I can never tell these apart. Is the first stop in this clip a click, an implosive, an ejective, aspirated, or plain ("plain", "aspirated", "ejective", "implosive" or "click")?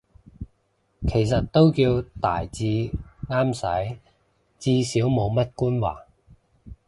aspirated